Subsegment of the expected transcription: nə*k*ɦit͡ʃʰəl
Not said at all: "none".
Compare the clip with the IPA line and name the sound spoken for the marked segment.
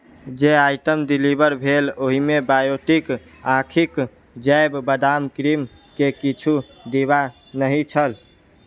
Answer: none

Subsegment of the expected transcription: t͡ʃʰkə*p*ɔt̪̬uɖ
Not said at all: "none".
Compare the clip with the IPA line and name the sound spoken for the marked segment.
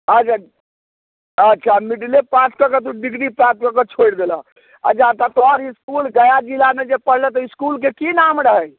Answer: k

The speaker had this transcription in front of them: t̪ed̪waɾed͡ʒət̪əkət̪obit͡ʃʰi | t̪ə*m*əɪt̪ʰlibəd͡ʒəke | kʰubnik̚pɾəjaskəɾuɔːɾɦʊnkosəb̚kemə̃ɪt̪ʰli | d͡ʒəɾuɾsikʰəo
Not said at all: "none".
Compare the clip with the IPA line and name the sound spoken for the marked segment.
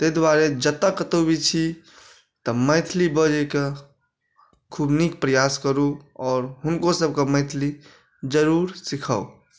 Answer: m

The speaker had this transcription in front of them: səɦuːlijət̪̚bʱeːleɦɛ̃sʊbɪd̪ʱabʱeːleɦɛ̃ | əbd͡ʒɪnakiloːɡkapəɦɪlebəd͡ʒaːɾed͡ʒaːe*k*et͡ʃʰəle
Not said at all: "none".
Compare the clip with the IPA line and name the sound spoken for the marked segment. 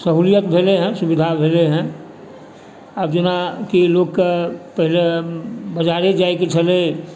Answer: k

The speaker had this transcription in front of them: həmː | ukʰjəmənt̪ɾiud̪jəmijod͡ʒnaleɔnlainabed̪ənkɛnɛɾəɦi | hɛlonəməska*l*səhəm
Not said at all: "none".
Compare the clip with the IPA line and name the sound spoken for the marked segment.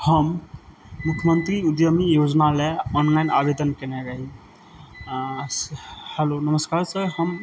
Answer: ɾ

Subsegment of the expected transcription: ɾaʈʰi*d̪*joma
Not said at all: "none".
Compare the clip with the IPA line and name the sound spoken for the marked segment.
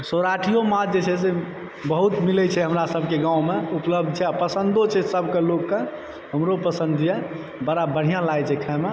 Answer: none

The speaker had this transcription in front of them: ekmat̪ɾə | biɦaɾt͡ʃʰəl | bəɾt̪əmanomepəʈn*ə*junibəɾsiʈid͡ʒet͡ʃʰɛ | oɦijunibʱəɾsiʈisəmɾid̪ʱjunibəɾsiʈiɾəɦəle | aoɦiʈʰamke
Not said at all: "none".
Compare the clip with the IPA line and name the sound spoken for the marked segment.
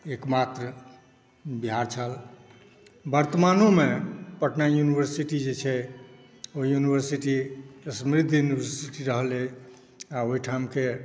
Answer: a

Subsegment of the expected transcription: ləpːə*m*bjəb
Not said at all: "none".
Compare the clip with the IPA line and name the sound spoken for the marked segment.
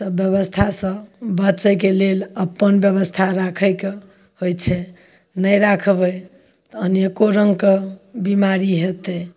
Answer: n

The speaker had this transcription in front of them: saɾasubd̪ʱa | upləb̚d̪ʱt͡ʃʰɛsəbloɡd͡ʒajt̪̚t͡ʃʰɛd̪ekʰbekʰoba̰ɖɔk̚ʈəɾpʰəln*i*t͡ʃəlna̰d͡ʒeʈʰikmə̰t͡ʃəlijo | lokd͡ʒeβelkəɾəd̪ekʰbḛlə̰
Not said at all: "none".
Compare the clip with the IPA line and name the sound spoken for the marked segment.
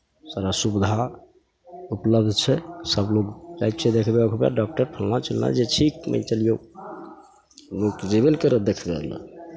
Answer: a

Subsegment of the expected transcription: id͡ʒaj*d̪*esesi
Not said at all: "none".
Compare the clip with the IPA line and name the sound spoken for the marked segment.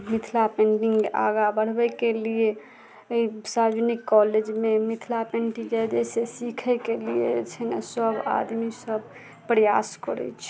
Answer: d̪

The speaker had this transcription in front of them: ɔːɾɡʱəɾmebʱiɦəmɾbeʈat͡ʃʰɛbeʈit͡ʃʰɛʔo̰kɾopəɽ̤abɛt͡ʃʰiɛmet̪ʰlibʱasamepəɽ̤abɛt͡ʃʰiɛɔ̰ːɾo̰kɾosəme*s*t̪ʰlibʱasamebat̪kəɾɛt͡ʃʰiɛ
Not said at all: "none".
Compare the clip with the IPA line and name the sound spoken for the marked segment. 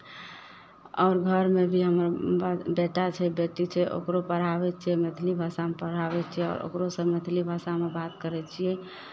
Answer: none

